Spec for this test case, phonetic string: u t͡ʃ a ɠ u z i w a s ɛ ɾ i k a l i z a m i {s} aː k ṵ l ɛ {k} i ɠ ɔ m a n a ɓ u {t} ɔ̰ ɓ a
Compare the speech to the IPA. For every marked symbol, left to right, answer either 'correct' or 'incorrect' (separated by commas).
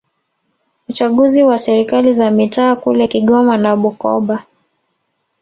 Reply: incorrect, correct, incorrect